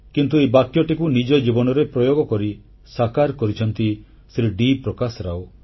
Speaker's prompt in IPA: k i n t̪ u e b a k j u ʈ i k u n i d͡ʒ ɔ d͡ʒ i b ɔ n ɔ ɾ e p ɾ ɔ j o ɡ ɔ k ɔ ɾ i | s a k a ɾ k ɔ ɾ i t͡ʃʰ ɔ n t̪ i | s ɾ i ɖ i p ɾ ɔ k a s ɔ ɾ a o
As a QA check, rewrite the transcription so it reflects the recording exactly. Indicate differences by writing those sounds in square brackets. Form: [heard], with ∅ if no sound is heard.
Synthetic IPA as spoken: k i n t̪ u e b a k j [ɔ] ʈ i k u n i d͡ʒ ɔ d͡ʒ i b ɔ n ɔ ɾ e p ɾ ɔ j o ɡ ɔ k ɔ ɾ i | s a k a ɾ k ɔ ɾ i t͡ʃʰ ɔ n t̪ i | s ɾ i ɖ i p ɾ ɔ k a s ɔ ɾ a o